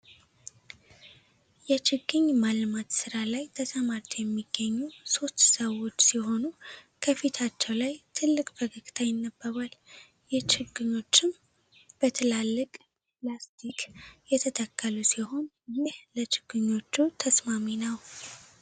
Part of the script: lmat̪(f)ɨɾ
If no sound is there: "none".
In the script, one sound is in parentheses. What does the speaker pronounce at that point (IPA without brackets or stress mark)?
s